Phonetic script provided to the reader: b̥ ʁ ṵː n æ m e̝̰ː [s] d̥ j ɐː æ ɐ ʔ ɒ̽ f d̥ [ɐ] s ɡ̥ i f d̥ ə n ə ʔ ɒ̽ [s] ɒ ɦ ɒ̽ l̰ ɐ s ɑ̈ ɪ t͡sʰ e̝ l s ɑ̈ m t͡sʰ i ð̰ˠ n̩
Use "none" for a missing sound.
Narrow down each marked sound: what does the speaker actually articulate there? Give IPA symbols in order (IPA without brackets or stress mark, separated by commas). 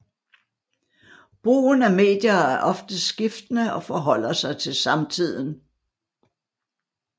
none, ə, f